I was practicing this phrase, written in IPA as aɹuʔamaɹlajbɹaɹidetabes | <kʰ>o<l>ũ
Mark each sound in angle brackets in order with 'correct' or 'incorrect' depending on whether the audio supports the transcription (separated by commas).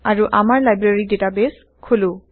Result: correct, correct